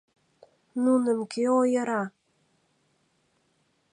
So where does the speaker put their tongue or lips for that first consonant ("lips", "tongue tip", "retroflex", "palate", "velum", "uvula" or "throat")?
tongue tip